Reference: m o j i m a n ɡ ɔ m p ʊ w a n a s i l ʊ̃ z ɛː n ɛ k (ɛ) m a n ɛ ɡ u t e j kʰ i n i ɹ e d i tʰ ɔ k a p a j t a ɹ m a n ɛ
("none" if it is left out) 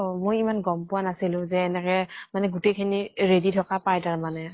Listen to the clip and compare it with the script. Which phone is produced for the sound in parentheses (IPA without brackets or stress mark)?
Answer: ɛ